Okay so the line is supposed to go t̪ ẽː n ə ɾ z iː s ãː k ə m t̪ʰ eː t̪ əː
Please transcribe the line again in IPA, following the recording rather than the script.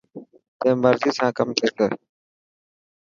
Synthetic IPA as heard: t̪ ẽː m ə ɾ z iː s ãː k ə m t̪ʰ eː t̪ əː

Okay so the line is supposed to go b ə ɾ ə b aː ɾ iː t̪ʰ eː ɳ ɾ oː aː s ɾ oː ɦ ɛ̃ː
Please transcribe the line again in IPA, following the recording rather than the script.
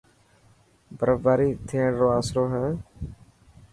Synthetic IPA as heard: b ə ɾ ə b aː ɾ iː t̪ʰ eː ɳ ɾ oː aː s ɾ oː ɦ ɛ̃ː

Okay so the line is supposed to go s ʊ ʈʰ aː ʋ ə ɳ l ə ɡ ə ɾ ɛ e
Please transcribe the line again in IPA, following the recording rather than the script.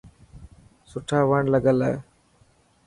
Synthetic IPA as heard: s ʊ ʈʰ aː ʋ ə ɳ l ə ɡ ə l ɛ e

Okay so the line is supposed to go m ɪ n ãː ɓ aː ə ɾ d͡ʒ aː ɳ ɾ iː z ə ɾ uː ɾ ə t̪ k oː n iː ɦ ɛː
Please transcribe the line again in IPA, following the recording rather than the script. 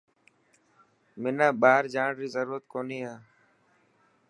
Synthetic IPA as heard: m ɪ n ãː ɓ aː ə ɾ d͡ʒ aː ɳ ɾ iː z ə ɾ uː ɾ ə t̪ k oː n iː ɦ aː

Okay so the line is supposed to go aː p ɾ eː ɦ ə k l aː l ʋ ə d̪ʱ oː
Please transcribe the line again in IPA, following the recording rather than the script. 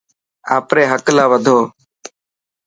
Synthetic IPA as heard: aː p ɾ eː ɦ ə k l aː ʋ ə d̪ʱ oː

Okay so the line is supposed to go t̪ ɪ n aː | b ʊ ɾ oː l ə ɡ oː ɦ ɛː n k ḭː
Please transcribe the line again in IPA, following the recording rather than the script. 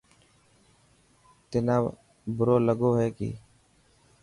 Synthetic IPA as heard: t̪ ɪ n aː | b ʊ ɾ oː l ə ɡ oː ɦ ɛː k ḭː

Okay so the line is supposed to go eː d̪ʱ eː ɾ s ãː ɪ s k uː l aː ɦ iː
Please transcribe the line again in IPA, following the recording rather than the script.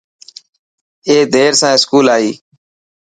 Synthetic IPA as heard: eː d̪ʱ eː ɾ s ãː ɪ s k uː l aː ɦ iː

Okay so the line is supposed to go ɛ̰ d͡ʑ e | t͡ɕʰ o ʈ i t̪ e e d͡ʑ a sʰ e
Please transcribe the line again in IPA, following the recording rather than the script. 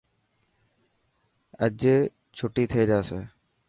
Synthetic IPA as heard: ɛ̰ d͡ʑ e | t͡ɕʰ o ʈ i t̪ʰ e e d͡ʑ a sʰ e

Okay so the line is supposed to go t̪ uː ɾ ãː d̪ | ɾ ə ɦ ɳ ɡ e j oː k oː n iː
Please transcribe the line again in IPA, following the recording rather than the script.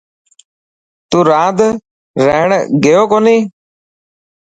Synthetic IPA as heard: t̪ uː ɾ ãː d̪ | ɾ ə ɦ ɳ ɡ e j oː k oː n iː

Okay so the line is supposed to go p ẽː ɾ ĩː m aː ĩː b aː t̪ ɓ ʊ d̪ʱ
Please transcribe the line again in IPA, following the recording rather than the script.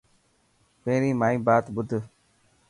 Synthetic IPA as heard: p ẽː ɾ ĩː m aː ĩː b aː t̪ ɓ ʊ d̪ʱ

